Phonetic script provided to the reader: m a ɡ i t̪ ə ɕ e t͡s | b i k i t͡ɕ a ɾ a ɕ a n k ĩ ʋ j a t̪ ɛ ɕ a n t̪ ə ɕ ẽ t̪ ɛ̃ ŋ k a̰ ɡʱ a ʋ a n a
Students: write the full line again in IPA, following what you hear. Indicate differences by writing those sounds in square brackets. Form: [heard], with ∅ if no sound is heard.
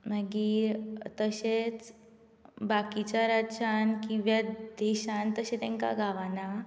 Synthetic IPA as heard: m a ɡ i t̪ ə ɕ e t͡s | b [a] k i t͡ɕ a ɾ a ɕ a n k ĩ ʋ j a [d̪] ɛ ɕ a n t̪ ə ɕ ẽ t̪ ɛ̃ ŋ k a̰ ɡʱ a ʋ a n a